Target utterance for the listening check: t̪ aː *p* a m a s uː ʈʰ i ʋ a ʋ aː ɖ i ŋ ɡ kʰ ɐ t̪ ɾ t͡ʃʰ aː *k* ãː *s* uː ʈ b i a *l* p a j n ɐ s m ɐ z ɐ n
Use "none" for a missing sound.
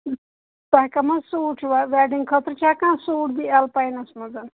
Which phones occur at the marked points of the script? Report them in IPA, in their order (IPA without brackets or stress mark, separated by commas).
k, k, s, l